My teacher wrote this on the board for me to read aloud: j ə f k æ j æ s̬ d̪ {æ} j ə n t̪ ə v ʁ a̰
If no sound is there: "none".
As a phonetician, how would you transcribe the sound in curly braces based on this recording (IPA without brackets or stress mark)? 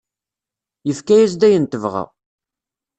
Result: æ